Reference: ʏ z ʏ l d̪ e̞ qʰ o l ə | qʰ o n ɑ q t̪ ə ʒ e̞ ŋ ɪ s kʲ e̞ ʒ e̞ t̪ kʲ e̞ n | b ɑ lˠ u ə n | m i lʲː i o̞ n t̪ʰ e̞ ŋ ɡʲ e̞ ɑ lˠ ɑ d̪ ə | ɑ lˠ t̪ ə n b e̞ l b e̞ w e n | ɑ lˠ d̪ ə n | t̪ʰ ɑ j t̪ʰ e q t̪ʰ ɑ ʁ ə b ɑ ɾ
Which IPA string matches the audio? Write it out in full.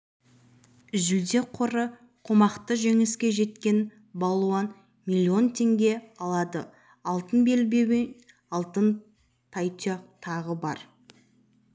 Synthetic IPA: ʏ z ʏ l d̪ e̞ qʰ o ɾ ə | qʰ o m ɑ q t̪ ə ʒ e̞ ŋ ɪ s kʲ e̞ ʒ e̞ t̪ kʲ e̞ n | b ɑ lˠ u ɑ n | m i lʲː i o̞ n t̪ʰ e̞ ŋ ɡʲ e̞ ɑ lˠ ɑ d̪ ə | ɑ lˠ t̪ ə n b e̞ l b e̞ w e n | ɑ lˠ t̪ ə n | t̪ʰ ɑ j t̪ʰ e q t̪ʰ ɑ ʁ ə b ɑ ɾ